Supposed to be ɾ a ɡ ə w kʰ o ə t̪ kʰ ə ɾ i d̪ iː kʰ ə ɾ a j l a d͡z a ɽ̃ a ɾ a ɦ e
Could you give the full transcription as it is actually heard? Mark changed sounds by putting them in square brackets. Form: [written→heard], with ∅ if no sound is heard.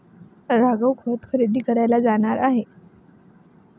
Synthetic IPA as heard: ɾ a ɡ ə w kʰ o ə t̪ kʰ ə ɾ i d̪ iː [kʰ→k] ə ɾ a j l a d͡z a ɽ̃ a ɾ a ɦ e